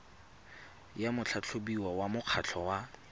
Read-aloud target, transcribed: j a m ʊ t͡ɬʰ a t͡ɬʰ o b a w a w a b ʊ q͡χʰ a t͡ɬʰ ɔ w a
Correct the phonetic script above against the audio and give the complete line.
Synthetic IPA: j a m ʊ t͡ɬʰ a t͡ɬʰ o b i w a w a m ʊ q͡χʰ a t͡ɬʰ ɔ w a